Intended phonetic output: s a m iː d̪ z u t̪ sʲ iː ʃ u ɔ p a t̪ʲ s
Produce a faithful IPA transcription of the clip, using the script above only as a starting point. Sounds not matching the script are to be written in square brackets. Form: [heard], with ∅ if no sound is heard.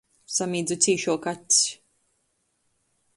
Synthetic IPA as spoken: s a m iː d̪ z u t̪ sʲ iː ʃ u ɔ [k] a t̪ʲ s